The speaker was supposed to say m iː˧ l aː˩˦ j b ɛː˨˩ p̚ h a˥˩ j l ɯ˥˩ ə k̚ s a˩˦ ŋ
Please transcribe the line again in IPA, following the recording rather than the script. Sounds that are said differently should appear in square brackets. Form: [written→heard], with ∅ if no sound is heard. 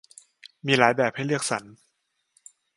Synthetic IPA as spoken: m iː˧ l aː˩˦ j b ɛː˨˩ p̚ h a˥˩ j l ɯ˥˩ ə k̚ s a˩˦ [ŋ→n]

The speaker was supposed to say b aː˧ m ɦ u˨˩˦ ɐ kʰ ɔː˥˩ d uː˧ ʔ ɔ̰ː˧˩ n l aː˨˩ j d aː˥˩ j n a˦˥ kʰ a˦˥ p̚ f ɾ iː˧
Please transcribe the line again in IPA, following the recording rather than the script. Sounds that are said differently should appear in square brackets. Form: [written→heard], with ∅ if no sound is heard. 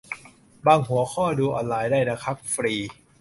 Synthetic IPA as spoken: b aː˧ [m→ŋ] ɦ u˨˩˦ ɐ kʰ ɔː˥˩ d uː˧ ʔ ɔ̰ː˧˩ n l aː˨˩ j d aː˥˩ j n a˦˥ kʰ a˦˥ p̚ f ɾ iː˧

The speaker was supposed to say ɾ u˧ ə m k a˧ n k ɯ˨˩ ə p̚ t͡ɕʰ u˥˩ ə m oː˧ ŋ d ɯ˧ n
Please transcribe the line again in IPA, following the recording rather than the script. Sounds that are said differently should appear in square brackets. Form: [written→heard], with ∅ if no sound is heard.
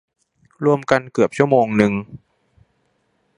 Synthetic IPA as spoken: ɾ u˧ ə m k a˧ n k ɯ˨˩ ə p̚ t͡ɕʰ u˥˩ ə m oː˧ ŋ [d→n] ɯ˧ [n→ŋ]

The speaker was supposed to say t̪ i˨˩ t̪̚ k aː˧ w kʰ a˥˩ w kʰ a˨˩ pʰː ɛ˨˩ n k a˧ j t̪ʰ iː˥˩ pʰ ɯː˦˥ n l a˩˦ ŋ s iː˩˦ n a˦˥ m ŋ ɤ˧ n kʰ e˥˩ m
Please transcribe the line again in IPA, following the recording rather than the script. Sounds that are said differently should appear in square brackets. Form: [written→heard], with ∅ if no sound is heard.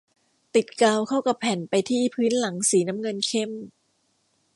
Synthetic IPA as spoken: t̪ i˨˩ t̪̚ k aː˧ w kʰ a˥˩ w [kʰ→k] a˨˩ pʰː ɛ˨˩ n [k→p] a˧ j t̪ʰ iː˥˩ pʰ ɯː˦˥ n l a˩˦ ŋ s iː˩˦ n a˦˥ m ŋ ɤ˧ n kʰ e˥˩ m

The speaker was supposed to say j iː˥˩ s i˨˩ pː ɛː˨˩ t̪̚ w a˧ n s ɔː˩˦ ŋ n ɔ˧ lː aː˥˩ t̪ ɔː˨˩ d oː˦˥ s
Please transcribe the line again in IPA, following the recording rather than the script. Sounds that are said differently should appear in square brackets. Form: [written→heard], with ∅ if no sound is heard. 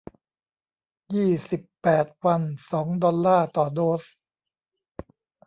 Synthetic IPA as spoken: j iː˥˩ s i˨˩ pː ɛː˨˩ t̪̚ w a˧ n s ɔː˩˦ ŋ [n→d] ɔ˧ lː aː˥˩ t̪ ɔː˨˩ d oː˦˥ s

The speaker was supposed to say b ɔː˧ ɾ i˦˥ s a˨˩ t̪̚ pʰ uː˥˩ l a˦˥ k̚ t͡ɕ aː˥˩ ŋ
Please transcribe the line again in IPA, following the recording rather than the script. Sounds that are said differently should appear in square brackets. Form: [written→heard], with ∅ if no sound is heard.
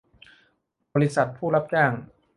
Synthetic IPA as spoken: b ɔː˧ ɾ i˦˥ s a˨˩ t̪̚ pʰ uː˥˩ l a˦˥ [k̚→p̚] t͡ɕ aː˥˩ ŋ

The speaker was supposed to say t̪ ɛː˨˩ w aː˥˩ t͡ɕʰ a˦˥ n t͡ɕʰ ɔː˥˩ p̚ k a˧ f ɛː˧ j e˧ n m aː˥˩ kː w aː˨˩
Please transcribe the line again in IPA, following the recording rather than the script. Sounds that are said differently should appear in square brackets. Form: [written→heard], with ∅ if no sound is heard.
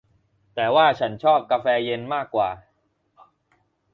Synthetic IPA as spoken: t̪ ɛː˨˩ w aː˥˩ t͡ɕʰ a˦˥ n t͡ɕʰ ɔː˥˩ p̚ k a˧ f ɛː˧ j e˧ n m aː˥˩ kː w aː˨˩

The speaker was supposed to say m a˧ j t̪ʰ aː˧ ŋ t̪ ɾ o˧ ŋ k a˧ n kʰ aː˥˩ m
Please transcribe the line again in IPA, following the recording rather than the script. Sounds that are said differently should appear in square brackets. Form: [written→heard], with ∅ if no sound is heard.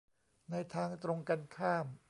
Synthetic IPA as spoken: [m→n] a˧ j t̪ʰ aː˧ ŋ t̪ ɾ o˧ ŋ k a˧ n kʰ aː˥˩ m

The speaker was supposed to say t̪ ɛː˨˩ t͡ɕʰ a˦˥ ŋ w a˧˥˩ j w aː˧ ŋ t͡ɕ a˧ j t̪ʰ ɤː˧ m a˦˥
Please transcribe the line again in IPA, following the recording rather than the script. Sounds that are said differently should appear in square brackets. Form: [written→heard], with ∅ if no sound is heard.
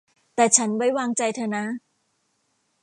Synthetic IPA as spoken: t̪ ɛː˨˩ t͡ɕʰ a˦˥ [ŋ→n] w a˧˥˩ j w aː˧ ŋ t͡ɕ a˧ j t̪ʰ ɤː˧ [m→n] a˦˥

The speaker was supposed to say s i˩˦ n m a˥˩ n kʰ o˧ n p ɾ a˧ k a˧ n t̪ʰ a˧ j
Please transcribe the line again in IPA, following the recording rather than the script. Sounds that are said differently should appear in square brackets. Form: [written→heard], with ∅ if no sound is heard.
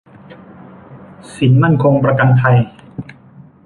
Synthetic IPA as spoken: s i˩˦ n m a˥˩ n kʰ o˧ [n→ŋ] p ɾ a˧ k a˧ n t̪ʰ a˧ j

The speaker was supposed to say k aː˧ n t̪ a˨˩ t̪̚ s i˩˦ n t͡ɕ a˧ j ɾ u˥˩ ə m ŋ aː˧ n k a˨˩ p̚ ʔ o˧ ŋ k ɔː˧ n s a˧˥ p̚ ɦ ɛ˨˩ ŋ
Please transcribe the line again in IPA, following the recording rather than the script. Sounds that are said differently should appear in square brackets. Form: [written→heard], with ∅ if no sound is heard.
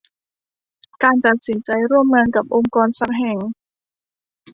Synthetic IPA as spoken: k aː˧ n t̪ a˨˩ t̪̚ s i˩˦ n t͡ɕ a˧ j ɾ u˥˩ ə m ŋ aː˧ n k a˨˩ p̚ ʔ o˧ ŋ k ɔː˧ n s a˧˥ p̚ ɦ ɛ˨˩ ŋ

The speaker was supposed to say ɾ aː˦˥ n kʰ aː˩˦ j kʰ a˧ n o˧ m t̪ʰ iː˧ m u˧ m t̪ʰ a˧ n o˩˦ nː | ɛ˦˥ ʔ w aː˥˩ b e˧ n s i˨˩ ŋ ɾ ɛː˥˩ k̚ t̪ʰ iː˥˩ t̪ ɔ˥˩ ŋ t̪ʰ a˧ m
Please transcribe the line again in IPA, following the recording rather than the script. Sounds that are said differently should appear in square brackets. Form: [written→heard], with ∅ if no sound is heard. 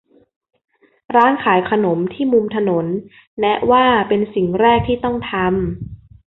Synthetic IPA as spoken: ɾ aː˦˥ n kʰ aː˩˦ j kʰ a˧ n [o˧→o˩˦] m t̪ʰ [iː˧→iː˥˩] m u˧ m t̪ʰ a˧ n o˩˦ nː | ɛ˦˥ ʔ w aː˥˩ [b→p] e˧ n s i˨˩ ŋ ɾ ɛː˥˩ k̚ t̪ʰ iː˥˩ t̪ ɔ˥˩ ŋ t̪ʰ a˧ m

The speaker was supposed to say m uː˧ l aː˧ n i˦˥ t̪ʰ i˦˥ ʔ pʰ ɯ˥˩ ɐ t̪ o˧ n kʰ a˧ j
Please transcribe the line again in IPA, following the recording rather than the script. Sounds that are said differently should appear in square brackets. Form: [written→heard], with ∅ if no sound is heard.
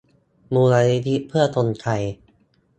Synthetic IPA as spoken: m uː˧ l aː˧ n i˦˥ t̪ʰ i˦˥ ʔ pʰ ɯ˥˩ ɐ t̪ o˧ n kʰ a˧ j

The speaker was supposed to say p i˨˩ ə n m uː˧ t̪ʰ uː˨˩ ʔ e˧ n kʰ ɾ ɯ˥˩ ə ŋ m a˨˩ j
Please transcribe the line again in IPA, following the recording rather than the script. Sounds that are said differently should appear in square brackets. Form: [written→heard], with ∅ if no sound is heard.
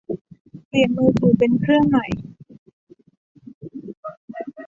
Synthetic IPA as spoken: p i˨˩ ə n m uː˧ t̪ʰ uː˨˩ [ʔ→p] e˧ n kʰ ɾ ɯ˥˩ ə ŋ m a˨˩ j

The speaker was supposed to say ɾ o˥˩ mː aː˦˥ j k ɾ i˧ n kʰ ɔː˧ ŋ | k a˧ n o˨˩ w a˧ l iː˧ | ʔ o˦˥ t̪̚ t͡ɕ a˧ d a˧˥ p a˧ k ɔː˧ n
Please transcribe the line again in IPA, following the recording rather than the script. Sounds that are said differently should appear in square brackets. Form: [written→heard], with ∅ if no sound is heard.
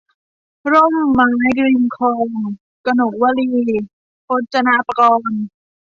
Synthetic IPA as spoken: ɾ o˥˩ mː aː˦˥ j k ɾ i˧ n kʰ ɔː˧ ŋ | k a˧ n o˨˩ w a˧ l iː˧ | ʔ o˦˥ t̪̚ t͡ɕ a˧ [d→n] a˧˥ p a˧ k ɔː˧ n

